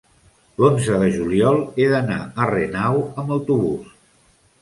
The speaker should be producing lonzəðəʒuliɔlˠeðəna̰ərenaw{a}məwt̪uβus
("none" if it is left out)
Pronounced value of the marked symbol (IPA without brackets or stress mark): ə